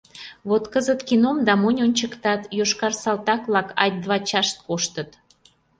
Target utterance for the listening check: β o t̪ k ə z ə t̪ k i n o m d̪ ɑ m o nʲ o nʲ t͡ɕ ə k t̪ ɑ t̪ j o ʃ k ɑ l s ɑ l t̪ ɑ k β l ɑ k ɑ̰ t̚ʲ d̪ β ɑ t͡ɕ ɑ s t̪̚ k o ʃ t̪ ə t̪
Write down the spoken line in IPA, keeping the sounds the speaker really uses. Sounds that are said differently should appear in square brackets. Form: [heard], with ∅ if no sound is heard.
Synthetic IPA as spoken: β o t̪ k ə z ə t̪ k i n o m d̪ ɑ m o nʲ o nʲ t͡ɕ ə k t̪ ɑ t̪ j o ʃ k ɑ [r] s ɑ l t̪ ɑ k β l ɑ k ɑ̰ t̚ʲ d̪ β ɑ t͡ɕ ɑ [ʃ] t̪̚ k o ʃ t̪ ə t̪